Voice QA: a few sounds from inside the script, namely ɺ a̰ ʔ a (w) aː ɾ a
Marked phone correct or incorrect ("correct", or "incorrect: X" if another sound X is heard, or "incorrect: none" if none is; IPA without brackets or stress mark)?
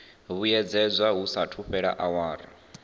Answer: correct